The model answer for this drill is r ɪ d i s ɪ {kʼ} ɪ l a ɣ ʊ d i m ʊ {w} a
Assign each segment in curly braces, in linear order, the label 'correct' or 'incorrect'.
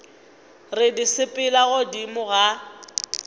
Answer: incorrect: pʼ, incorrect: ɣ

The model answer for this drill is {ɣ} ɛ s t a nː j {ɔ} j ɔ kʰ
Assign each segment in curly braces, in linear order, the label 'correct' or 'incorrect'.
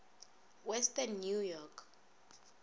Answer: incorrect: w, incorrect: u

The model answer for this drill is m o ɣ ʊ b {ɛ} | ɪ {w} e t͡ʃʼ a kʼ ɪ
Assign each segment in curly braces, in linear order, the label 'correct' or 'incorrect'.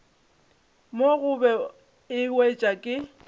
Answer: correct, correct

